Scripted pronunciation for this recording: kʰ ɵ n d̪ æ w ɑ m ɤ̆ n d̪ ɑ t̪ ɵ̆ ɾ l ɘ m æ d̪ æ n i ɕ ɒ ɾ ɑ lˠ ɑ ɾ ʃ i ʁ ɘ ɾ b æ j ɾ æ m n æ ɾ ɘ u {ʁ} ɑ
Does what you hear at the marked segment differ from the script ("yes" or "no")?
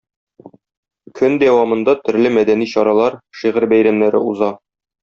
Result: yes